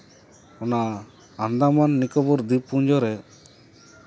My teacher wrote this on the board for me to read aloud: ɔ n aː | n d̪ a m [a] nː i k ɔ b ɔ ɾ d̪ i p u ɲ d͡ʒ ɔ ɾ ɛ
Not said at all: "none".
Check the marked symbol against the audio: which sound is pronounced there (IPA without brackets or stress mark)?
a